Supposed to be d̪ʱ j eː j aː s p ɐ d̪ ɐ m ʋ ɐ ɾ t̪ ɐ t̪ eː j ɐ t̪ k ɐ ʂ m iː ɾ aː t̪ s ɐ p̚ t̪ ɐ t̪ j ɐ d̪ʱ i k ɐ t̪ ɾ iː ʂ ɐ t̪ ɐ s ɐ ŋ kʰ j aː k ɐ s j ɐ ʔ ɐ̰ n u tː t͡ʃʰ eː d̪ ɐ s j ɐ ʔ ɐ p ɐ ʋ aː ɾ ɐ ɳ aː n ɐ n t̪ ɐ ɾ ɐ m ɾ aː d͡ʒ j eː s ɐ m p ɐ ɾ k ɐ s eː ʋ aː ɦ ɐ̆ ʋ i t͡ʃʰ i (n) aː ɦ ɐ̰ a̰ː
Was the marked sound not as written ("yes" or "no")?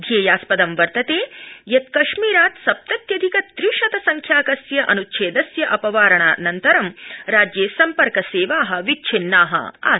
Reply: yes